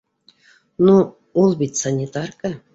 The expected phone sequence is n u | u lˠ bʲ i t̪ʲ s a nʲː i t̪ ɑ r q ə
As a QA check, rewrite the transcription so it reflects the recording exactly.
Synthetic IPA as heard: n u | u lˠ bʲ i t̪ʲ s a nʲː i t̪ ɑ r k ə